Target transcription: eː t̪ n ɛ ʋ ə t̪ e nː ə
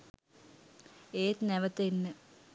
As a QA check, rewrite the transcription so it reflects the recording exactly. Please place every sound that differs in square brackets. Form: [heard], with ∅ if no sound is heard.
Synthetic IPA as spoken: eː t̪ n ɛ ʋ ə t̪ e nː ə